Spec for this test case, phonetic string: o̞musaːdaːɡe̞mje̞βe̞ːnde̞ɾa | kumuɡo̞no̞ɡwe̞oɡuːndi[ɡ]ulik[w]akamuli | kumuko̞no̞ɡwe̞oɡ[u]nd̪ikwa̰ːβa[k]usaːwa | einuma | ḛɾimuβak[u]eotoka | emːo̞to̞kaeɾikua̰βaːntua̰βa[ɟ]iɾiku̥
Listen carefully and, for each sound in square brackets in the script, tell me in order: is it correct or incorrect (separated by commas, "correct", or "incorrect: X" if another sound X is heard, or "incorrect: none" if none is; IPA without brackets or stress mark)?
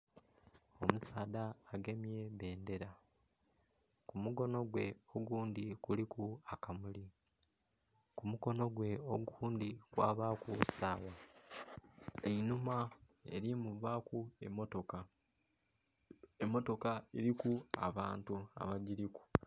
incorrect: k, incorrect: u, incorrect: uː, correct, correct, correct